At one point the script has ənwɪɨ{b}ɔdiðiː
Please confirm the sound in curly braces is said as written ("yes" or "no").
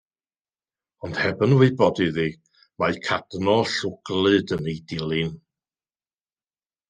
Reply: yes